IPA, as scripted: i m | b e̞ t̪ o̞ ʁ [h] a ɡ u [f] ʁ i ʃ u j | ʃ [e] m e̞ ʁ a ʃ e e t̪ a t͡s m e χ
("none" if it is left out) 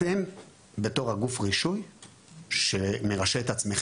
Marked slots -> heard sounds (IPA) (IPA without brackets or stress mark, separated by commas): h, f, e